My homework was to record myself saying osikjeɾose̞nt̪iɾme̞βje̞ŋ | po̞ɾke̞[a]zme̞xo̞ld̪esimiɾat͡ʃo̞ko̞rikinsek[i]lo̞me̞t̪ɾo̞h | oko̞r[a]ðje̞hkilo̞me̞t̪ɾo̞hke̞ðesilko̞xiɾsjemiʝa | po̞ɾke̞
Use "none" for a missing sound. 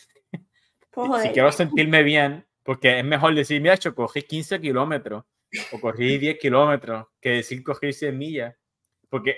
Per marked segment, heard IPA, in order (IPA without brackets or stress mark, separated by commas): e, i, i